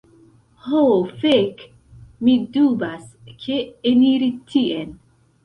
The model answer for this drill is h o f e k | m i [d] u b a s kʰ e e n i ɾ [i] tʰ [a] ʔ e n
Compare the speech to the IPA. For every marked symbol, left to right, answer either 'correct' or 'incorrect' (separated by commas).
correct, correct, incorrect